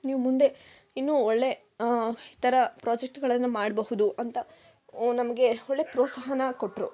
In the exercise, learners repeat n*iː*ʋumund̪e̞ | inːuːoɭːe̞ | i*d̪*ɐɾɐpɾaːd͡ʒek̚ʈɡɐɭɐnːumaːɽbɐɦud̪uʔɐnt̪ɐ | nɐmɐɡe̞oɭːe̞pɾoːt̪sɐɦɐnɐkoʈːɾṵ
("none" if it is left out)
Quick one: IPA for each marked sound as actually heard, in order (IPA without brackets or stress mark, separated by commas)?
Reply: iː, t̪